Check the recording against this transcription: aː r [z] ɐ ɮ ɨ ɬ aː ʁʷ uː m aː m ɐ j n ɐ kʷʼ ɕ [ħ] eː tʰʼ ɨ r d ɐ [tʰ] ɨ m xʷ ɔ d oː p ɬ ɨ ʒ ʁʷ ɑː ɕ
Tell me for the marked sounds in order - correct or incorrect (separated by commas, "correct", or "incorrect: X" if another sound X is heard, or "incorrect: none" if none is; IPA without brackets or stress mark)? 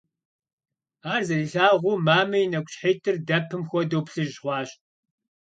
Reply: correct, correct, incorrect: pʰ